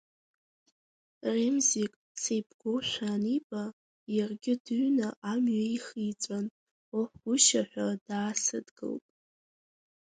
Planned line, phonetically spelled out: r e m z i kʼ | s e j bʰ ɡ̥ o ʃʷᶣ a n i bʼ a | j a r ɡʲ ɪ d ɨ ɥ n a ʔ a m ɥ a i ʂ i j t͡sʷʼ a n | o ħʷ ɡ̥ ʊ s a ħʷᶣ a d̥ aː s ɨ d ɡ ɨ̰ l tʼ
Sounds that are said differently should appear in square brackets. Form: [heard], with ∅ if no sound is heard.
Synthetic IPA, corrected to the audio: r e m z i kʼ | s e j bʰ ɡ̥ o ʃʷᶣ a n i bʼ a | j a r ɡʲ ɪ d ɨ ɥ n a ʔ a m ɥ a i [χ] i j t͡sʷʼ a n | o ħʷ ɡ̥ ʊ [ʃ] a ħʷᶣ a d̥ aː s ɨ d ɡ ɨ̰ l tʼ

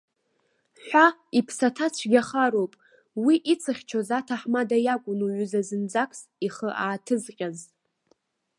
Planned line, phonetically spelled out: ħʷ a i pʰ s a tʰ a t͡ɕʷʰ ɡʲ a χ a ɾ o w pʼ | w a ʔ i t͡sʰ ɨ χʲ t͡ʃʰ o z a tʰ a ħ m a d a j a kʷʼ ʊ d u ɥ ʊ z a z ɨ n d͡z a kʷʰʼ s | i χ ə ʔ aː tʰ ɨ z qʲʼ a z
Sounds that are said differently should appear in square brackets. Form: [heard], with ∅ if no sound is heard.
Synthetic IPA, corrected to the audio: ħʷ a i pʰ s a tʰ a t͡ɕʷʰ ɡʲ a χ a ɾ o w pʼ | w [i] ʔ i t͡sʰ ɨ χʲ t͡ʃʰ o z a tʰ a ħ m a d a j a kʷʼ ʊ [n] u ɥ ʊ z a z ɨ n d͡z a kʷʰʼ s | i χ ə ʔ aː tʰ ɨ z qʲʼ a z

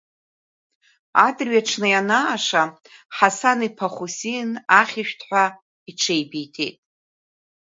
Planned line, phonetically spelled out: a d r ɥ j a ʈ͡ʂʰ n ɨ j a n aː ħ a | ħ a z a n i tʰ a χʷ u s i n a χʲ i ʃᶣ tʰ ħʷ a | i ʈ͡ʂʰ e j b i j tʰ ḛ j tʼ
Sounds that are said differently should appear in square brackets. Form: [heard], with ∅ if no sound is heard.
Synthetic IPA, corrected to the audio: a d r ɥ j a ʈ͡ʂʰ n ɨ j a n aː [ʂ] a | ħ a [s] a n i [pʰ] a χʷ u s i n a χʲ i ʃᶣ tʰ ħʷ a | i ʈ͡ʂʰ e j b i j tʰ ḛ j tʼ

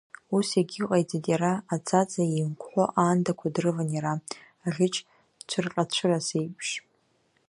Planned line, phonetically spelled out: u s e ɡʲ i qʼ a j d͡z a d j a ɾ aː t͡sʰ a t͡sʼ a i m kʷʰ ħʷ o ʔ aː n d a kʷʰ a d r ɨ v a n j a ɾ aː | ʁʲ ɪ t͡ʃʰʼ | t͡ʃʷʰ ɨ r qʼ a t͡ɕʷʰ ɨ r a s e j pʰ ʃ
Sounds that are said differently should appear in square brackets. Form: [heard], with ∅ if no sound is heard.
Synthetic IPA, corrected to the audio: u s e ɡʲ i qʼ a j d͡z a d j a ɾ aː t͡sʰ a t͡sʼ a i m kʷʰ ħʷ o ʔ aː n d a kʷʰ a d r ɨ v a n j a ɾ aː | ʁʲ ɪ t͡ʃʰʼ | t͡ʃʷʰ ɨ r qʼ a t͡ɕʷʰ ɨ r a s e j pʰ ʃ

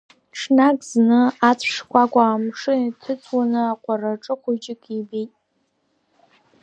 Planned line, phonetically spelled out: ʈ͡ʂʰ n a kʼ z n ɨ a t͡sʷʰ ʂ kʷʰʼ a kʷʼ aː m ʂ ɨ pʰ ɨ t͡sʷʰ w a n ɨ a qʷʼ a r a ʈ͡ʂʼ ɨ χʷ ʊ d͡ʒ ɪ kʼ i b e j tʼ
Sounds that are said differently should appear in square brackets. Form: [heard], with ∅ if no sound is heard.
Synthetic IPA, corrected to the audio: ʈ͡ʂʰ n a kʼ z n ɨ a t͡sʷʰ ʂ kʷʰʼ a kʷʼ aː m ʂ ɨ [tʰ] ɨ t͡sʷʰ w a n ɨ a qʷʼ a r a ʈ͡ʂʼ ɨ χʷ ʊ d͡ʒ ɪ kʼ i b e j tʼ

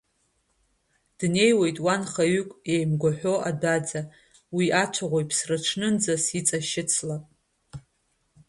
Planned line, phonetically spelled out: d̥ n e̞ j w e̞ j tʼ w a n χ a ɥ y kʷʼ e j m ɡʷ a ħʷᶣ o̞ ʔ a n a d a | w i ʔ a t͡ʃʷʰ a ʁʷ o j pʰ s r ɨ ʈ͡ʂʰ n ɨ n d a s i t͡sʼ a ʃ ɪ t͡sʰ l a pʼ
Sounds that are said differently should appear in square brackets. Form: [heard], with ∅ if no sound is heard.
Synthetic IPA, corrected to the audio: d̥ n e̞ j w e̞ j tʼ w a n χ a ɥ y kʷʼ e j m ɡʷ a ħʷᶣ o̞ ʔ a [d] a [d͡z] a | w i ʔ a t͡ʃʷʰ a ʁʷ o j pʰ s r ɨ ʈ͡ʂʰ n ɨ n [d͡z] a s i t͡sʼ a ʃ ɪ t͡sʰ l a pʼ

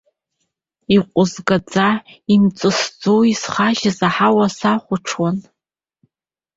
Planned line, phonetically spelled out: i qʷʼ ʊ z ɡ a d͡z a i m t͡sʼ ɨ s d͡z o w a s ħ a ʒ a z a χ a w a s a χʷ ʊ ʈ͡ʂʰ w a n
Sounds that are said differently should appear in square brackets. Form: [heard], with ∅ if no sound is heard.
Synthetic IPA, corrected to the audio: i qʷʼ ʊ z ɡ a d͡z a i m t͡sʼ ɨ s d͡z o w [i] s [χ] a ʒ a z a [ħ] a w a s a χʷ ʊ ʈ͡ʂʰ w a n

